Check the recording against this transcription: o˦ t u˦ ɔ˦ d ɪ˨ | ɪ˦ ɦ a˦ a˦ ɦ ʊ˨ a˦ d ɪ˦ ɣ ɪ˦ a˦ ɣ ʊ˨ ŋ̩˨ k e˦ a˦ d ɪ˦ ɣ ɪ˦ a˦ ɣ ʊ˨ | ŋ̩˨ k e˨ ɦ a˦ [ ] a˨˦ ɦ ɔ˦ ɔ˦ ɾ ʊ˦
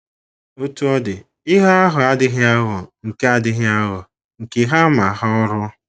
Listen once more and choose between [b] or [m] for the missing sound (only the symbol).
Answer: m